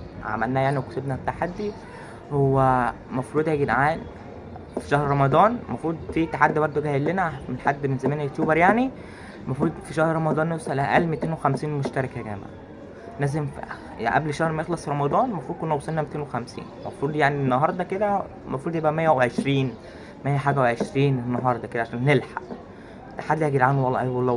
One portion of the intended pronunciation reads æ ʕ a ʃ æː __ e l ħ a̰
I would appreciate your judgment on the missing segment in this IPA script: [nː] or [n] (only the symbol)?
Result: nː